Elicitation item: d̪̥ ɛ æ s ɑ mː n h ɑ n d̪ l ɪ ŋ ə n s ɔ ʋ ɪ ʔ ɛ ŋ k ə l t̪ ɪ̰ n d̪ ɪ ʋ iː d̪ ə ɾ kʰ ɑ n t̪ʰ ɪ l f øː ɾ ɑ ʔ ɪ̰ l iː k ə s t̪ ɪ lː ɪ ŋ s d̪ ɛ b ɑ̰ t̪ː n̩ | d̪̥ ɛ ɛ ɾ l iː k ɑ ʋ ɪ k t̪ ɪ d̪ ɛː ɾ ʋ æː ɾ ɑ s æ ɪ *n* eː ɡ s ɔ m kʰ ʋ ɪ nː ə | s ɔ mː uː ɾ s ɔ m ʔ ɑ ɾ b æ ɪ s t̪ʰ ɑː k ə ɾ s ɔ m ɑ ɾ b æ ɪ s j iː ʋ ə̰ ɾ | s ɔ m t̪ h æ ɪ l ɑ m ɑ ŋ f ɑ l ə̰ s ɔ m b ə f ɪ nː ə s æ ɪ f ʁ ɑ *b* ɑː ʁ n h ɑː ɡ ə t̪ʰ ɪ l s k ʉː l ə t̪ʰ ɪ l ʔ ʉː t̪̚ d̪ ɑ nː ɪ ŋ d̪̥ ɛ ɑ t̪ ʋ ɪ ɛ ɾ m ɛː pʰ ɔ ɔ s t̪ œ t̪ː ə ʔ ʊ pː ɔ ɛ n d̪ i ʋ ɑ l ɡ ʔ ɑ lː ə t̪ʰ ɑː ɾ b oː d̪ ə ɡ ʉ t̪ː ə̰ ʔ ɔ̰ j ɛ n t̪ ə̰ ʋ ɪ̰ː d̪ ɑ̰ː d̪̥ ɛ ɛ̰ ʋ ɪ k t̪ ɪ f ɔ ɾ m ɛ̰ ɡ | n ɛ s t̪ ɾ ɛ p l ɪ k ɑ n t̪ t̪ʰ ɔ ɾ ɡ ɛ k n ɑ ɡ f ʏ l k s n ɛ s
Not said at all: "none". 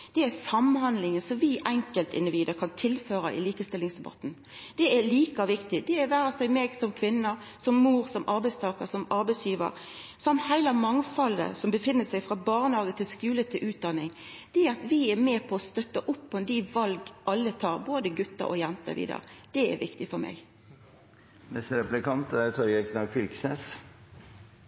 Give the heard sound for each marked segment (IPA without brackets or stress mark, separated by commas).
m, b